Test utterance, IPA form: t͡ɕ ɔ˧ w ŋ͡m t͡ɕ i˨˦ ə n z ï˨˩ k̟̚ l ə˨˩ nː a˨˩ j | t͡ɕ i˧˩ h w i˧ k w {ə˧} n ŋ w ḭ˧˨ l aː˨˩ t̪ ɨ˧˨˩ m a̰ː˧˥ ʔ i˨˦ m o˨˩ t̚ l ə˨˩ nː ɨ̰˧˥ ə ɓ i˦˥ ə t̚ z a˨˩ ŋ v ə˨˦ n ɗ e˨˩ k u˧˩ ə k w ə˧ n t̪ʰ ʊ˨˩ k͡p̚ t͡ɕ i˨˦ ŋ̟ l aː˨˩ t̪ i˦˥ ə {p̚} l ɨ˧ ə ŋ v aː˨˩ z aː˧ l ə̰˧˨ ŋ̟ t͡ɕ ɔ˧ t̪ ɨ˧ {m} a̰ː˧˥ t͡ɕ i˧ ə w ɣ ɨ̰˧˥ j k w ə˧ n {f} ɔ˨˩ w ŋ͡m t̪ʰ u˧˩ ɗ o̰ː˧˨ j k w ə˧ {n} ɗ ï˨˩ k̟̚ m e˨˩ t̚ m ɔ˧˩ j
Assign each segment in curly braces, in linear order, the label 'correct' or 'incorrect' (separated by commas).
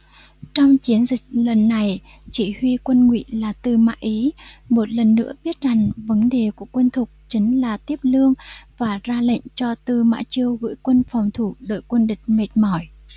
correct, correct, correct, correct, correct